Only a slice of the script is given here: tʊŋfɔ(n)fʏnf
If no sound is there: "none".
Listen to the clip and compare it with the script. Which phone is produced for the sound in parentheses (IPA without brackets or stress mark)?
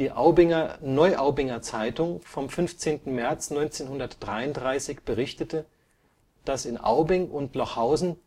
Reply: m